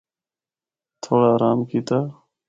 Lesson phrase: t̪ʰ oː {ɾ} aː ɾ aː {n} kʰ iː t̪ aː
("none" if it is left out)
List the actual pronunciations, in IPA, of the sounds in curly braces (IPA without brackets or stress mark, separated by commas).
ɽ, m